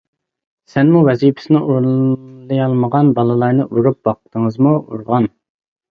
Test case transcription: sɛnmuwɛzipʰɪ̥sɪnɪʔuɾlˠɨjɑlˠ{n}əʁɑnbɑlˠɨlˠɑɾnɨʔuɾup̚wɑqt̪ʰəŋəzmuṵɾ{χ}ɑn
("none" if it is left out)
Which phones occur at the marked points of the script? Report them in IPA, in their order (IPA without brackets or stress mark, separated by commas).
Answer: m, ʁ